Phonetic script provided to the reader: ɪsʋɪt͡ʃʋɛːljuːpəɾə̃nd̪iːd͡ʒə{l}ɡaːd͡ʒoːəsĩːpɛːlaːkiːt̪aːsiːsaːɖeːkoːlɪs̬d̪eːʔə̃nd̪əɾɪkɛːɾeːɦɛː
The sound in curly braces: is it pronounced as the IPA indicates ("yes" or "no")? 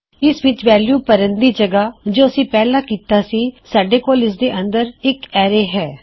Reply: no